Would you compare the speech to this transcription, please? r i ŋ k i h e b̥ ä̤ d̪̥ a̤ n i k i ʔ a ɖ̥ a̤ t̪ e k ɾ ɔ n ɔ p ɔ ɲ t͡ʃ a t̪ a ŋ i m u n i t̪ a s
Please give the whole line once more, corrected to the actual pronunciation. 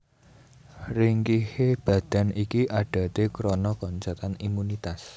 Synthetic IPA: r i ŋ k i h e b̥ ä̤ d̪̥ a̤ n i k i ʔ a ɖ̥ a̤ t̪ e k ɾ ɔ n ɔ k ɔ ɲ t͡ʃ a t̪ a n i m u n i t̪ a s